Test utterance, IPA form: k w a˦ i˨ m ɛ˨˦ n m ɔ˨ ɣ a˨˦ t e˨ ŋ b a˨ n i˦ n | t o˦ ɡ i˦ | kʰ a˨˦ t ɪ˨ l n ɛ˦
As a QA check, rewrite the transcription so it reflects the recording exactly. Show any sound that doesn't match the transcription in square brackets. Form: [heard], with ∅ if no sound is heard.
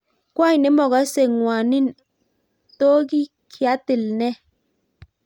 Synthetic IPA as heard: k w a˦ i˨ [n] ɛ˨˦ [∅] m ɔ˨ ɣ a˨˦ [s] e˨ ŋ [w] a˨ n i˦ n | t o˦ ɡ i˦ | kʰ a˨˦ t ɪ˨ l n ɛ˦